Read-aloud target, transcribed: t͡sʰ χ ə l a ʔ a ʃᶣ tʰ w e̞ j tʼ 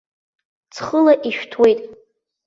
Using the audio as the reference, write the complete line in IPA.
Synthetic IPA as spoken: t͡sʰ χ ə l a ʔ i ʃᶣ tʰ w e̞ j tʼ